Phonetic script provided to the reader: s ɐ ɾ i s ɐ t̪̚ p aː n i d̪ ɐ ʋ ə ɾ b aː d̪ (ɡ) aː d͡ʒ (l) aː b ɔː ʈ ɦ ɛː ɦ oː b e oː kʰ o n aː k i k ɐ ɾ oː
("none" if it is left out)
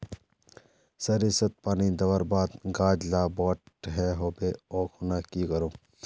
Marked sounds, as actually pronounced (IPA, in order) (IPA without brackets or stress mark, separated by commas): ɡ, l